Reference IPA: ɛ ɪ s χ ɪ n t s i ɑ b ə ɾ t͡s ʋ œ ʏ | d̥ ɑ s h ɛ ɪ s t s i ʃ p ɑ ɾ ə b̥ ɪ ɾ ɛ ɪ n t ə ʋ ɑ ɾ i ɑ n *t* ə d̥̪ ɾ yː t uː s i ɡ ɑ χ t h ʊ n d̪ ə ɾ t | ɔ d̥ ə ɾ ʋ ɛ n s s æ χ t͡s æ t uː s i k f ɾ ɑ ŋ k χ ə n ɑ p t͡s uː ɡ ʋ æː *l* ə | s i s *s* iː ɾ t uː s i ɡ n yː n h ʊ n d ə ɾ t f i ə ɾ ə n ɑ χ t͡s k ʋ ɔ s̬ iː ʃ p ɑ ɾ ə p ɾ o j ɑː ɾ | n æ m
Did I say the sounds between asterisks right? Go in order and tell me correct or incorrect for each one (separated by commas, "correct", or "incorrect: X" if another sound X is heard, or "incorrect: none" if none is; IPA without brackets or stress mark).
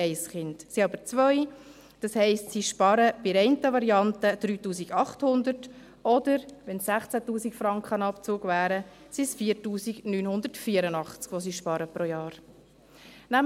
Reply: correct, incorrect: ɾ, incorrect: f